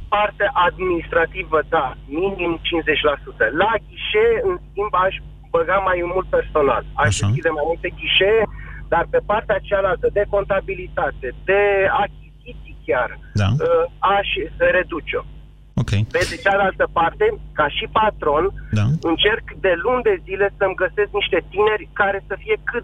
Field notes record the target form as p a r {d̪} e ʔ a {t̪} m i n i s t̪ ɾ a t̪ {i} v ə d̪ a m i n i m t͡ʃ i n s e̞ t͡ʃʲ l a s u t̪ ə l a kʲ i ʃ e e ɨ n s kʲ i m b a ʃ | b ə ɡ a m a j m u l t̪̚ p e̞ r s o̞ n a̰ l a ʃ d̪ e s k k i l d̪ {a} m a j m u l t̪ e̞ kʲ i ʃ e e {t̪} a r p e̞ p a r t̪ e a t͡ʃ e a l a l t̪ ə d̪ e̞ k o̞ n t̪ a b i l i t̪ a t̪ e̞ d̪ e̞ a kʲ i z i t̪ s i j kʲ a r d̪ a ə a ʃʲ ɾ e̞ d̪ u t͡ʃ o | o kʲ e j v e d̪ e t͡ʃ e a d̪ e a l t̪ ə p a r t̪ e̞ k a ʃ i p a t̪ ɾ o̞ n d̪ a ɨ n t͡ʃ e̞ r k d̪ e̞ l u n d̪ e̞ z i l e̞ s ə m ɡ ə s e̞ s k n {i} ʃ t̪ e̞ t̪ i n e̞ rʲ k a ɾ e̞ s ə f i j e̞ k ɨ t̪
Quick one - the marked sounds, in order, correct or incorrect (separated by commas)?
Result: incorrect, incorrect, correct, incorrect, incorrect, correct